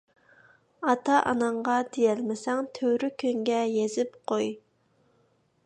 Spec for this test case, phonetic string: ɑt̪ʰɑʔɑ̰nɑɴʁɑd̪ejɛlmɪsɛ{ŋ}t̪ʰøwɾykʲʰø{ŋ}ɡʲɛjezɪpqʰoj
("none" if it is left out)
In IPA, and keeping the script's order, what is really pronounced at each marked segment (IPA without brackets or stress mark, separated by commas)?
ŋ, ŋ